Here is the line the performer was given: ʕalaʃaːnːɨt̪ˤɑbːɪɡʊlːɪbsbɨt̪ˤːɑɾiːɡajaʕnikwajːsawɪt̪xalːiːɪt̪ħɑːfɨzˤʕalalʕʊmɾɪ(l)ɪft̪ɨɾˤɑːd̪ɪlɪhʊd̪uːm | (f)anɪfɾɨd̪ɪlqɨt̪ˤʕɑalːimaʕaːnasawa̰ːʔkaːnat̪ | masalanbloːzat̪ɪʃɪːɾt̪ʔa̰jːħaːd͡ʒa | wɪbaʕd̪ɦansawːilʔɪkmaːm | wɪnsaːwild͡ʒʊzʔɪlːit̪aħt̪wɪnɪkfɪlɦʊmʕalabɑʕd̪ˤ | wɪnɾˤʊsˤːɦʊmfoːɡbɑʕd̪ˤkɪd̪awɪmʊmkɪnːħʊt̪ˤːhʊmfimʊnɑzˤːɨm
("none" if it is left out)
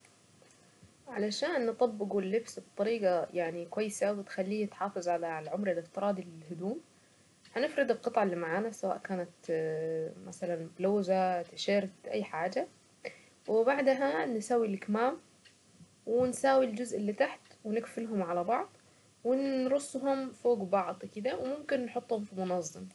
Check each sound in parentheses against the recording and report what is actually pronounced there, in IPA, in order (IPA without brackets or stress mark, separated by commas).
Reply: l, h